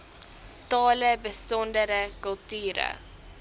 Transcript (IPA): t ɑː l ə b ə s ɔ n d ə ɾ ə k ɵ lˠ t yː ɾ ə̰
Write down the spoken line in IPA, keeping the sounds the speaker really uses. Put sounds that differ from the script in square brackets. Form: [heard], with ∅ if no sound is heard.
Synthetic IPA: t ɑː l ə b ə s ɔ n d ə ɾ ə k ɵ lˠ t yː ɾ ə̰